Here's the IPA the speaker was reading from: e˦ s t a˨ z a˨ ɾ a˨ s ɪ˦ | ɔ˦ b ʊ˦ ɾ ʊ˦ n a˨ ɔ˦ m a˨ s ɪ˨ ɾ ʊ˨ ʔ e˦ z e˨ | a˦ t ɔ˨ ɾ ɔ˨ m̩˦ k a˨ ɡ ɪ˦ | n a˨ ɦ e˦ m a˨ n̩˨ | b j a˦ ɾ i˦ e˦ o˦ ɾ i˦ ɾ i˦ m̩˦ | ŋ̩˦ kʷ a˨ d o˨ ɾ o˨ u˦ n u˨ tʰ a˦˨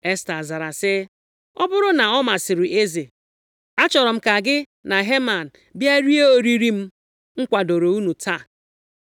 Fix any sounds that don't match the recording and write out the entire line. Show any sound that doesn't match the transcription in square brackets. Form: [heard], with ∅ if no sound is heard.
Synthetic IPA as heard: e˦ s t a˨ z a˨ ɾ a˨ s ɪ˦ | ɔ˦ b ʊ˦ ɾ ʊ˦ n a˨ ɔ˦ m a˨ s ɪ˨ ɾ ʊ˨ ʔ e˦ z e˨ | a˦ [t͡ʃ] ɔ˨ ɾ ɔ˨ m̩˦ k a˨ ɡ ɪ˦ | n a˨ ɦ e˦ m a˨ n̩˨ | b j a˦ ɾ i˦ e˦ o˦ ɾ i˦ ɾ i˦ m̩˦ | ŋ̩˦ kʷ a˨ d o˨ ɾ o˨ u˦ n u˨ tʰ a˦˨